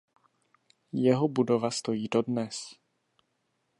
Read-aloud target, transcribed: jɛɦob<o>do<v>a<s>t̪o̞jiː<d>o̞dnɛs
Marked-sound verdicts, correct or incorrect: incorrect: u, correct, correct, correct

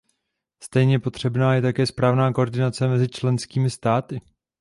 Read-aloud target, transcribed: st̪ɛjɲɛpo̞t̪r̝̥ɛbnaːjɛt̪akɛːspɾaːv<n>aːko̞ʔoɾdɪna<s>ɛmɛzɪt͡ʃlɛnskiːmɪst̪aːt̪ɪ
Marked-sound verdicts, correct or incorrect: correct, incorrect: t͡s

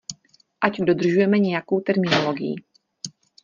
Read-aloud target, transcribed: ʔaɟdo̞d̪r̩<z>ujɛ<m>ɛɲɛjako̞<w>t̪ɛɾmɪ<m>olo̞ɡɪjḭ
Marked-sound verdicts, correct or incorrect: incorrect: ʒ, correct, correct, incorrect: n

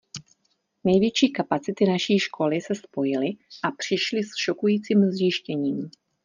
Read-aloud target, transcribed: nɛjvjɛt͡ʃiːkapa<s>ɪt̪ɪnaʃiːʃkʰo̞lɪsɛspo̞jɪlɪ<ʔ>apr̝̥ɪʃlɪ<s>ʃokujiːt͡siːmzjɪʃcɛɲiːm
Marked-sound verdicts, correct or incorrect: incorrect: t͡s, correct, correct

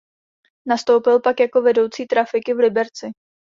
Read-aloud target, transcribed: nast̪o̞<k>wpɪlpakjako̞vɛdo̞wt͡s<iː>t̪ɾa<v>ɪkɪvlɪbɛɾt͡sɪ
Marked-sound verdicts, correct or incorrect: incorrect: none, correct, incorrect: f

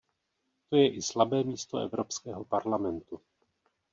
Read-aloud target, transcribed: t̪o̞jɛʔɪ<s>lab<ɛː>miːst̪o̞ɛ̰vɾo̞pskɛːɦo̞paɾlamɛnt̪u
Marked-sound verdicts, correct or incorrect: correct, correct

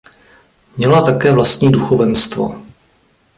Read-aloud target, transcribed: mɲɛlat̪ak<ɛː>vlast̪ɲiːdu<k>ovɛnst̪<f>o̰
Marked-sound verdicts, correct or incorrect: correct, incorrect: x, incorrect: v

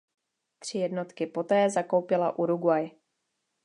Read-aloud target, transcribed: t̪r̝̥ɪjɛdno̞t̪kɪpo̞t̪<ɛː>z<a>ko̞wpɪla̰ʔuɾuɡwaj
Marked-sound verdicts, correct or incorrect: correct, correct

